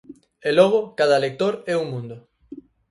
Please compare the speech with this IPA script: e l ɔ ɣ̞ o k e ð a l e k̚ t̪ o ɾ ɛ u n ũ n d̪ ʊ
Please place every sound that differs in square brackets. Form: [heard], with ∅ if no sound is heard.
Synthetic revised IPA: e l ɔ ɣ̞ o k [a] ð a l e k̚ t̪ o ɾ ɛ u [m] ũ n d̪ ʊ